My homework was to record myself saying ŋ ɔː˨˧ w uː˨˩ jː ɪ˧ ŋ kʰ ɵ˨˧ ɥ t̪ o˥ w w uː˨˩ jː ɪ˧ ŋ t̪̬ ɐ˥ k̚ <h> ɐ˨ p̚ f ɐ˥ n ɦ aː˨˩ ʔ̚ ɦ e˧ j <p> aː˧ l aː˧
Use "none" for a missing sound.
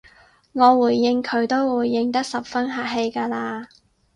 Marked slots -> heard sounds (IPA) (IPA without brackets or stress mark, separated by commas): s, k